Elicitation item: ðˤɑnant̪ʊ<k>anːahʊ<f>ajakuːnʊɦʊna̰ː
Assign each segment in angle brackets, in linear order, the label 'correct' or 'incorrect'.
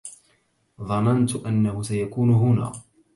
incorrect: ʔ, incorrect: s

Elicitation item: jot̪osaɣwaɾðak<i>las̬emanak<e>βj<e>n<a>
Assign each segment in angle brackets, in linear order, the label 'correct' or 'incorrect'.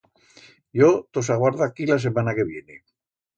correct, correct, correct, incorrect: e

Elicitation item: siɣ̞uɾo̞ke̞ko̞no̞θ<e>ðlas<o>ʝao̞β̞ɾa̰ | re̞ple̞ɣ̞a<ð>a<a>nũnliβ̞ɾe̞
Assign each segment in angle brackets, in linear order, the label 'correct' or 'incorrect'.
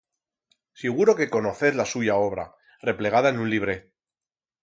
correct, incorrect: u, correct, incorrect: e

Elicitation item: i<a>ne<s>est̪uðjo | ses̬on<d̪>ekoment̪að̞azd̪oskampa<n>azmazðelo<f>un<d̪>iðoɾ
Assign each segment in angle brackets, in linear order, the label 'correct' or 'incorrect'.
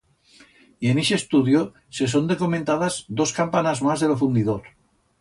incorrect: e, incorrect: ʃ, correct, correct, correct, correct

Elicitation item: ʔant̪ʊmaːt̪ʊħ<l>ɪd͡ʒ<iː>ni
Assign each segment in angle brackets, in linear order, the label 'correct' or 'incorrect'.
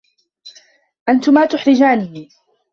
incorrect: ɾ, incorrect: aː

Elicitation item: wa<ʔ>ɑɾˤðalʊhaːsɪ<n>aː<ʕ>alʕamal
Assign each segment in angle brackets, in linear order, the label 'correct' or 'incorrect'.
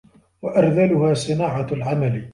correct, correct, correct

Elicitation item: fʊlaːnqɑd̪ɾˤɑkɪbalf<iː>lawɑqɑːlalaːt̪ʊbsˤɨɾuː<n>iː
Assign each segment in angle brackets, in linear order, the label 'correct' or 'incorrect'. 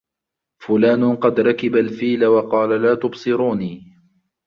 correct, correct

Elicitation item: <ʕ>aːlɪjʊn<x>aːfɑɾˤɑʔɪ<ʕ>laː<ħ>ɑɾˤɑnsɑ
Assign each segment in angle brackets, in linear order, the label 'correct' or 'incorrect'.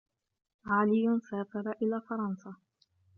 correct, incorrect: s, incorrect: none, incorrect: f

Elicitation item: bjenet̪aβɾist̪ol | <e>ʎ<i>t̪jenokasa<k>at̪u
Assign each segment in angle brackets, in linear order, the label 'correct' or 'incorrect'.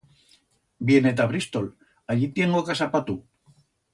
incorrect: a, correct, incorrect: p

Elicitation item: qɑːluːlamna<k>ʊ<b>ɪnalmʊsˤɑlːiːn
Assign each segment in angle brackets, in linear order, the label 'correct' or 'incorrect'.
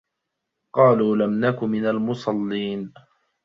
correct, incorrect: m

